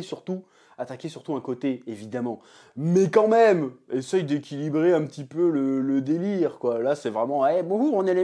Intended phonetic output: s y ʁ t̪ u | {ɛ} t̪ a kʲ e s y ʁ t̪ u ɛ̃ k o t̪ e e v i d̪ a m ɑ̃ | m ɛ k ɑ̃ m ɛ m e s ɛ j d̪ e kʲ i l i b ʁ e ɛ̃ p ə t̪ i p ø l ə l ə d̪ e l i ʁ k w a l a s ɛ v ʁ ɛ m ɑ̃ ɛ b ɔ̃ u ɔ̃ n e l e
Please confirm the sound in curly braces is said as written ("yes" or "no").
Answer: no